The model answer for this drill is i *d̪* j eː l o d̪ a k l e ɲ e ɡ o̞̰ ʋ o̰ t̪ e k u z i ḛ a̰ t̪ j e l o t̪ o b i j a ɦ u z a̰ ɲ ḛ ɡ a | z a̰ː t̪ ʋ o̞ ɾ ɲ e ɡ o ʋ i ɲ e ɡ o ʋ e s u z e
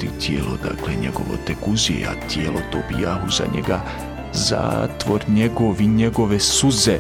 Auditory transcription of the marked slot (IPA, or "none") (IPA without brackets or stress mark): t̪